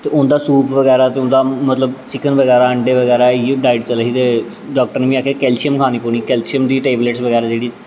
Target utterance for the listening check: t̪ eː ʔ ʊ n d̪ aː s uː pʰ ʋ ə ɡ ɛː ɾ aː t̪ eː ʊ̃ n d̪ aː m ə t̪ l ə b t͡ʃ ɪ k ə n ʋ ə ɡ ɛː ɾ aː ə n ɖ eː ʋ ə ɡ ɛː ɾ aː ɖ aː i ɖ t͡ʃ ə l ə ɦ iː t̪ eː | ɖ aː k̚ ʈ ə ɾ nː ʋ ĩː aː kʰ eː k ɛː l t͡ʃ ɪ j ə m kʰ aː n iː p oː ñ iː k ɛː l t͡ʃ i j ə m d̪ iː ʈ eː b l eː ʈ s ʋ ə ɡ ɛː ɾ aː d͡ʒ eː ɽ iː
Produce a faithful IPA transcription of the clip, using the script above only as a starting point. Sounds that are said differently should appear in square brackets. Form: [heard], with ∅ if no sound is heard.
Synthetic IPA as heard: t̪ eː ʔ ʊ n d̪ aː s uː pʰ ʋ ə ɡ ɛː ɾ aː t̪ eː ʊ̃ n d̪ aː m ə t̪ l ə b t͡ʃ ɪ k ə n ʋ ə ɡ ɛː ɾ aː ə [ɳ] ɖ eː ʋ ə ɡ ɛː ɾ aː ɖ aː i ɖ t͡ʃ ə l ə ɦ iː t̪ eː | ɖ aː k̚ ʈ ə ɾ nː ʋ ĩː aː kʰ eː k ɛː l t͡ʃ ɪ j ə m kʰ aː n iː p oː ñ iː k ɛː l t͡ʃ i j ə m d̪ iː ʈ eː b l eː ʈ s ʋ ə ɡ ɛː ɾ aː d͡ʒ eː ɽ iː